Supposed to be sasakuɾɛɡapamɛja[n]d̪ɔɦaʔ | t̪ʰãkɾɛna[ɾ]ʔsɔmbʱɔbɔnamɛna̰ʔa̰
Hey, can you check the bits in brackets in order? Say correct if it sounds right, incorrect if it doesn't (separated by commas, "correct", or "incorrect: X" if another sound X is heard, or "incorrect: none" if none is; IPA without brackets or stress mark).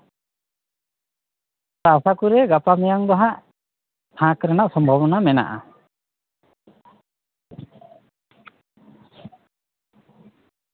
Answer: incorrect: ŋ, incorrect: none